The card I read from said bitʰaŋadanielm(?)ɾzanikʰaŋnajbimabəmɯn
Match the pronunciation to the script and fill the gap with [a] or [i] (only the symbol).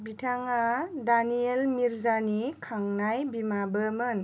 i